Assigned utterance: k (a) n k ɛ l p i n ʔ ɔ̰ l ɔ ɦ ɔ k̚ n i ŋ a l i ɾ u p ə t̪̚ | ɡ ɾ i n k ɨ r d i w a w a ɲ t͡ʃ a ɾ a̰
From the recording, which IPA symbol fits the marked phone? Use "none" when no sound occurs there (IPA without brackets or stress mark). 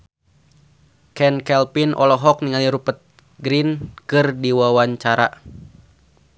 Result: ɛ